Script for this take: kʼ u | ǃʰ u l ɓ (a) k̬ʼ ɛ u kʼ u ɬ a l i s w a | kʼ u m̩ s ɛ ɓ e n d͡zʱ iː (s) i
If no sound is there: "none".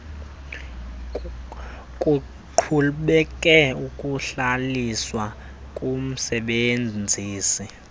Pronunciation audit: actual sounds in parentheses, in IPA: ɛ, s

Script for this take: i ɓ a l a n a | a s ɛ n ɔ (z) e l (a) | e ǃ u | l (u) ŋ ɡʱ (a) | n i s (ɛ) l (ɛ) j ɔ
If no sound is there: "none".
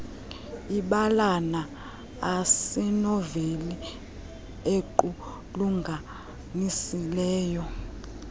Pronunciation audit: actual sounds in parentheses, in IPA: v, i, u, a, i, ɛː

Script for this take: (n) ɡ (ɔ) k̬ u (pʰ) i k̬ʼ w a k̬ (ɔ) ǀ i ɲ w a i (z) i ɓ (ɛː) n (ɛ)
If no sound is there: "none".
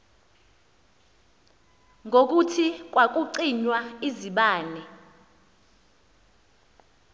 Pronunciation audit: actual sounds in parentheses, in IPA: ŋ, o, tʰ, u, z, aː, ɛ

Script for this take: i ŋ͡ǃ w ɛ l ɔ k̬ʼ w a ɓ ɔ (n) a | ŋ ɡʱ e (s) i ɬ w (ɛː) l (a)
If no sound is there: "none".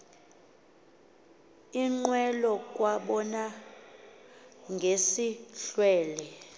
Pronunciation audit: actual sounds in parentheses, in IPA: n, s, ɛː, ɛ

